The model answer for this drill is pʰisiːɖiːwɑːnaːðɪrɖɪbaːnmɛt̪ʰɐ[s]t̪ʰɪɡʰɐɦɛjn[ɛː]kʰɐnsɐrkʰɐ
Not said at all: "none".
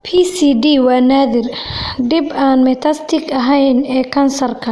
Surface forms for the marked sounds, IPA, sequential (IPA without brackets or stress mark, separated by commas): s, ɛː